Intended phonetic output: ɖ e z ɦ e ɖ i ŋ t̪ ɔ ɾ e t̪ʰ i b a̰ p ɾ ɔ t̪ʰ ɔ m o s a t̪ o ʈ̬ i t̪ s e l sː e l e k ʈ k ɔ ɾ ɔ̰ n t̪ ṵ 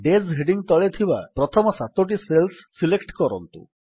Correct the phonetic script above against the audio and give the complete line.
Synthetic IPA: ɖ e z ɦ e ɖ i ŋ t̪ ɔ ɭ e t̪ʰ i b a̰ p ɾ ɔ t̪ʰ ɔ m ɔ s a t̪ o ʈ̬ i s e l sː i l e k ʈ k ɔ ɾ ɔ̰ n t̪ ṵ

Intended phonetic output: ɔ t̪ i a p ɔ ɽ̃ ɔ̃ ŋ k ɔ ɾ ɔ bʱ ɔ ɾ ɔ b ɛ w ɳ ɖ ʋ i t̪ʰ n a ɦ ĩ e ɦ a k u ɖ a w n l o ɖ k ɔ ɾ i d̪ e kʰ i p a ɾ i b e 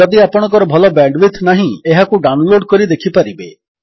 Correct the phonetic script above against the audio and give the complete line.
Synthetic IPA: ɔ d̪ i a p ɔ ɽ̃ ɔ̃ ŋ k ɔ ɾ ɔ bʱ ɔ l ɔ b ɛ ɳ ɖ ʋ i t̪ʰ n a ɦ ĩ e ɦ a k u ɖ a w n l o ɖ k ɔ ɾ i d̪ e kʰ i p a ɾ i b e

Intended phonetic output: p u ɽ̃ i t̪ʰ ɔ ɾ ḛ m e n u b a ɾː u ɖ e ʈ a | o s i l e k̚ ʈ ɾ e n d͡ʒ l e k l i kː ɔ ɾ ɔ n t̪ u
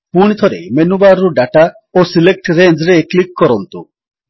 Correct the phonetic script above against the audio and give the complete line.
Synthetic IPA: p u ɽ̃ i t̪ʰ ɔ ɾ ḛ m e n u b a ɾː u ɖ a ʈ a | o s i l e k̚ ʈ ɾ e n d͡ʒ ɾ e k l i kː ɔ ɾ ɔ n t̪ u

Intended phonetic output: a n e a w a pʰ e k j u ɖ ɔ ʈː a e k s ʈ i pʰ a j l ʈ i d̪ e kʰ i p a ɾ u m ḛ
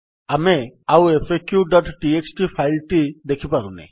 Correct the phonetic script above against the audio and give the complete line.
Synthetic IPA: a m e a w e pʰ e k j u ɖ ɔ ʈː i e k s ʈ i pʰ a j l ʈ i d̪ e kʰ i p a ɾ u n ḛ

